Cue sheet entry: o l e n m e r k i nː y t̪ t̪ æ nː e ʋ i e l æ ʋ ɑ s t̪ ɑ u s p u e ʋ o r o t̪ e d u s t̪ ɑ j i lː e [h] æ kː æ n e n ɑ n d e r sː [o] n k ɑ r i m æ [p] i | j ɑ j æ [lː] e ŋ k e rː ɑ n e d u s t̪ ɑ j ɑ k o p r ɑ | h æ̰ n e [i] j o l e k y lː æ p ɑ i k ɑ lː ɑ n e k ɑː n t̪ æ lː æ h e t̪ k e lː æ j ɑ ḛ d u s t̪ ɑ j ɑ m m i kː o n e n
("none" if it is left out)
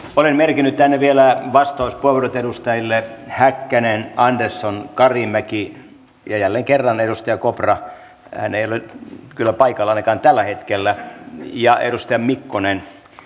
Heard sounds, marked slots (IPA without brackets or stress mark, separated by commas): h, o, k, lː, i